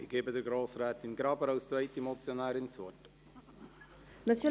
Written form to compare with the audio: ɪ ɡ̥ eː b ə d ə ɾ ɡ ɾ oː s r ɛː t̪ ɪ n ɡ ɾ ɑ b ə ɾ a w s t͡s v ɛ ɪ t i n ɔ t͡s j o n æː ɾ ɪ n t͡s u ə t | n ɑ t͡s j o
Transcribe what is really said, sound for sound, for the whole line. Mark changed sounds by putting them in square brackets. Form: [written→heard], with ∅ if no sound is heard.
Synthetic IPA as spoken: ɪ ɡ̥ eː b ə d ə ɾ ɡ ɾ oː s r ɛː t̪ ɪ n ɡ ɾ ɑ b ə ɾ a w s t͡s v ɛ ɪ t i [n→m] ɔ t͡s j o n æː ɾ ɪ n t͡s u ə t | n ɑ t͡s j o